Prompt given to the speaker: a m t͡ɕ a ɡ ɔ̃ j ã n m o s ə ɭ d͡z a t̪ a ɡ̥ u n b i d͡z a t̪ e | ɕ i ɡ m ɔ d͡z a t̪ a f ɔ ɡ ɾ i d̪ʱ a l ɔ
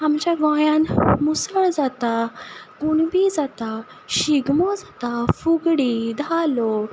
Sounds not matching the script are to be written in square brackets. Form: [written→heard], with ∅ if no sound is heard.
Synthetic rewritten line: a m t͡ɕ a ɡ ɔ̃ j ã n m [o→u] s ə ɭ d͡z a t̪ a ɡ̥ u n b i d͡z a t̪ [e→a] | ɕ i ɡ m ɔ d͡z a t̪ a f [ɔ→u] ɡ [ɾ→ɽ] i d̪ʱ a l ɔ